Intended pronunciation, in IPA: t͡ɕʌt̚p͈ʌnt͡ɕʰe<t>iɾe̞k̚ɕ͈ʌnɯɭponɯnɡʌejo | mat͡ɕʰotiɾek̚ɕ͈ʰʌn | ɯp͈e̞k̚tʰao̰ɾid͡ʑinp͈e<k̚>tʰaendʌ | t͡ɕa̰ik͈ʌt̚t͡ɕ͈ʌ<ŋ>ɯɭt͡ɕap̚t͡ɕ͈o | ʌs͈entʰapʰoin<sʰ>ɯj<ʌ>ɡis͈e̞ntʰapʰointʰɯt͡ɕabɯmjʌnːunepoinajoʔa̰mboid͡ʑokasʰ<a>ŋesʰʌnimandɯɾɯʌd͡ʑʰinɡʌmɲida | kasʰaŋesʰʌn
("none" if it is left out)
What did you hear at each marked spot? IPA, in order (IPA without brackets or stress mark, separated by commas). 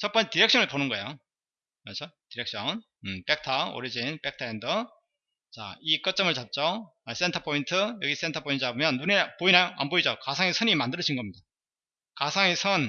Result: t, k̚, m, tʰ, ʌ, a